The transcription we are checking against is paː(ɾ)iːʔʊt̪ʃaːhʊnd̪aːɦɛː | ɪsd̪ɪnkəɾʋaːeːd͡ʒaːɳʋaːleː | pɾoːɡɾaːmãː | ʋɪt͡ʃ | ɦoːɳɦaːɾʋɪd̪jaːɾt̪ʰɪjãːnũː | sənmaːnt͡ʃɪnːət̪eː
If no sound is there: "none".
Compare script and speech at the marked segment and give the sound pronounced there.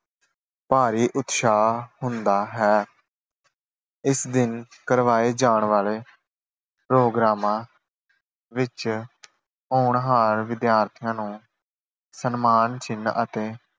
ɾ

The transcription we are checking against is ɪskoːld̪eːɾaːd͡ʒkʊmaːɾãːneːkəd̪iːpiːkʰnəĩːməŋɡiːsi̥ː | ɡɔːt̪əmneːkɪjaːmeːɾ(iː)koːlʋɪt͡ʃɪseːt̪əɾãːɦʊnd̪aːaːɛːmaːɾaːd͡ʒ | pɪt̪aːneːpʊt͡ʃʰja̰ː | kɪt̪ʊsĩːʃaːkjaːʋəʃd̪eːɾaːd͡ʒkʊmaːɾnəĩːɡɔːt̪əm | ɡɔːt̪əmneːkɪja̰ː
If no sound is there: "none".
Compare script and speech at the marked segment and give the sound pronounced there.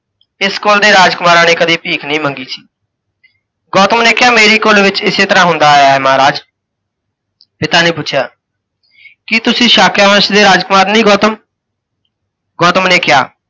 iː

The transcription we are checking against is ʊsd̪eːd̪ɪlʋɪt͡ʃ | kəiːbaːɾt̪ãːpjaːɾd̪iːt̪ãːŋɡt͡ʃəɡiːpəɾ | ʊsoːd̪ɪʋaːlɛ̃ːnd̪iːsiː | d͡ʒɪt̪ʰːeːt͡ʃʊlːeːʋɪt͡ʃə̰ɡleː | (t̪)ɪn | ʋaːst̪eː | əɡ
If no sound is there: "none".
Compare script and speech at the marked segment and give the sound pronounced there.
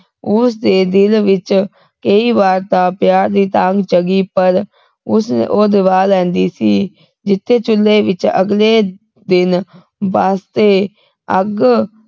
d̪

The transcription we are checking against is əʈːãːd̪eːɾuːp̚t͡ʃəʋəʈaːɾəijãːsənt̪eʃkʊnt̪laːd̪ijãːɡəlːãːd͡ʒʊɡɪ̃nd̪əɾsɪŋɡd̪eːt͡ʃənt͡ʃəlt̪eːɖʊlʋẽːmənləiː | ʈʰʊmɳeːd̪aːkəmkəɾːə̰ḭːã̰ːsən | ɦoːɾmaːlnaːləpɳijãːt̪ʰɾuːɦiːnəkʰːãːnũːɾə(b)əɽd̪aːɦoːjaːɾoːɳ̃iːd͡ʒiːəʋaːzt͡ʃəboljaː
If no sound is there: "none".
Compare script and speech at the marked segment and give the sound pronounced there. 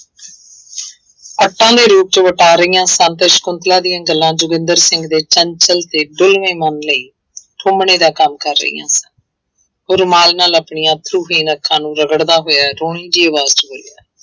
ɡ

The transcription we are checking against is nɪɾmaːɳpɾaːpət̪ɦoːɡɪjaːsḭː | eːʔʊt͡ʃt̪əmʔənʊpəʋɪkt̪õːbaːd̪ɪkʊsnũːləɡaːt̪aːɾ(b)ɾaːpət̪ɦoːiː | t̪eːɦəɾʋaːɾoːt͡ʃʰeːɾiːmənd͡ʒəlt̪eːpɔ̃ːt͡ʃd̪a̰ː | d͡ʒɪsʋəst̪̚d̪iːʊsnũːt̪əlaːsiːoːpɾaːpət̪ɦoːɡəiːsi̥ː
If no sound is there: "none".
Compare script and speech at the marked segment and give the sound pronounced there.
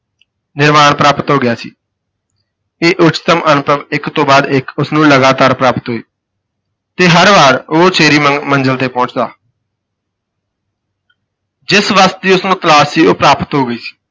p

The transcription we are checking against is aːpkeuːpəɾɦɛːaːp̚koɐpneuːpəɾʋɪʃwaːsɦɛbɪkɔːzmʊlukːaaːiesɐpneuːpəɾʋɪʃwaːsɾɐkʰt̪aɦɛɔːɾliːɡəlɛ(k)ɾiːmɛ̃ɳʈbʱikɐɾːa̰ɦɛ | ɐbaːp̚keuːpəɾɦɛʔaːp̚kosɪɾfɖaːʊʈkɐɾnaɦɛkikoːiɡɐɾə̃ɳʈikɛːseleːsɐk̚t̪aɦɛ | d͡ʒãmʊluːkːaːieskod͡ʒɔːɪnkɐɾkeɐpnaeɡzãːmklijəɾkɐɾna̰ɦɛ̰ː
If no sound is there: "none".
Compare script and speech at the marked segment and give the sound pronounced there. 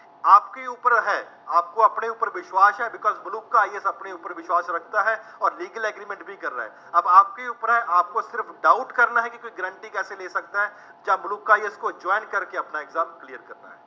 ɡ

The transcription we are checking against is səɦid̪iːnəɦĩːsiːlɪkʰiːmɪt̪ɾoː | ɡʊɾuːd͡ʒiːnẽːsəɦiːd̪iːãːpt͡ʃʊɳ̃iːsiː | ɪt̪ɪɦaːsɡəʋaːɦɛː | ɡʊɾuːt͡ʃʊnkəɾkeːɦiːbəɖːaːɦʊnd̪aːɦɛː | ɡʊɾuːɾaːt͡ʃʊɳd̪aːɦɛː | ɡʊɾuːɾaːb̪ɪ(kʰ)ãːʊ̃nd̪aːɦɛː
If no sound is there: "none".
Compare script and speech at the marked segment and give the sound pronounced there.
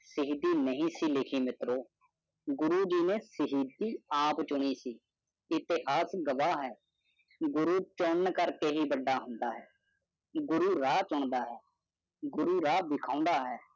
kʰ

